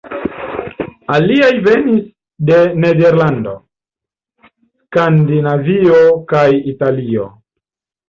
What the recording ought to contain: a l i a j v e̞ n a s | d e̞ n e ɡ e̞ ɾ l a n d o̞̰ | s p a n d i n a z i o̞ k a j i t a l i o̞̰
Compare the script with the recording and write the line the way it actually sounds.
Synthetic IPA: a l i a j v e̞ n i s | d e̞ n e d e̞ ɾ l a n d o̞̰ | s k a n d i n a v i o̞ k a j i t a l i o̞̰